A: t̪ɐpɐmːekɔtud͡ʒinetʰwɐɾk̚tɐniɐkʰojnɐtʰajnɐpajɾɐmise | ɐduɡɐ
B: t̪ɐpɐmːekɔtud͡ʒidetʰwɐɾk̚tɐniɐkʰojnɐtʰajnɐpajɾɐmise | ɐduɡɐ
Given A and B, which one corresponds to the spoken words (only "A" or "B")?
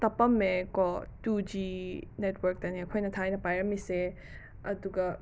A